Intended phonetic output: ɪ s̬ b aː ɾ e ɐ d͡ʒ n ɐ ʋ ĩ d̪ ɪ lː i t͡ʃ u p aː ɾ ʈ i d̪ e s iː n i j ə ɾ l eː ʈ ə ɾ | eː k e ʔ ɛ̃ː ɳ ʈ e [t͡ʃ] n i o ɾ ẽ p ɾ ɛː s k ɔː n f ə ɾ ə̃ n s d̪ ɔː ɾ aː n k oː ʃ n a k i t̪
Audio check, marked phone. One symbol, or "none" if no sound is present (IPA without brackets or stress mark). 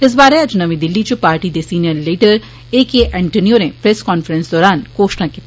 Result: none